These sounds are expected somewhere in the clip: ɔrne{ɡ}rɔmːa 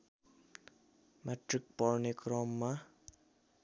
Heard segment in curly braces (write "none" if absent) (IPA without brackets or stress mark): k